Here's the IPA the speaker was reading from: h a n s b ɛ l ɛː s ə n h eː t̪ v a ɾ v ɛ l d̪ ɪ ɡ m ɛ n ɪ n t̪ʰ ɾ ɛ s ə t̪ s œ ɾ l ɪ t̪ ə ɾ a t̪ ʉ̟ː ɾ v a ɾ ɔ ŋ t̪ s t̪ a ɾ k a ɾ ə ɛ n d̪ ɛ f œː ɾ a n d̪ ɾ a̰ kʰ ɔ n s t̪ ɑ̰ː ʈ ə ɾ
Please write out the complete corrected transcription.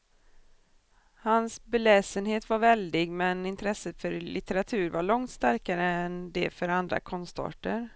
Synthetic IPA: h a n s b ɛ l ɛː s ə n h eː t̪ v a ɾ v ɛ l d̪ ɪ ɡ m ɛ n ɪ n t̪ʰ ɾ ɛ s ə t̪ f œ ɾ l ɪ t̪ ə ɾ a t̪ʰ ʉ̟ː ɾ v a ɭ ɔ ŋ t̪ s t̪ a ɾ k a ɾ ə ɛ n d̪ ɛ f œ ɾ a n d̪ ɾ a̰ kʰ ɔ n s t̪ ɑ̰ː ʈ ə ɾ